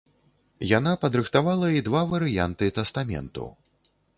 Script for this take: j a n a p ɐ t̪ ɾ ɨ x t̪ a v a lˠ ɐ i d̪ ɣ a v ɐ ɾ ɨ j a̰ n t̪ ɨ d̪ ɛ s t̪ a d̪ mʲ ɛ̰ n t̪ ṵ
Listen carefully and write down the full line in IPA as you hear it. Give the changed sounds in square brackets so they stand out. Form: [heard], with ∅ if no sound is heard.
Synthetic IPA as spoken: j a n a p ɐ [d̪] ɾ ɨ x t̪ a v a lˠ ɐ i d̪ [v] a v ɐ ɾ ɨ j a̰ n t̪ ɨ [t̪] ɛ s t̪ a [∅] mʲ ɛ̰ n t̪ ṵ